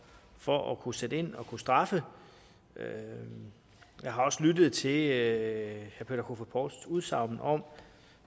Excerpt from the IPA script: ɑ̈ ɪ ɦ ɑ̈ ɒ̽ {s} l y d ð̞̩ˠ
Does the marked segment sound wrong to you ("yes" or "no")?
no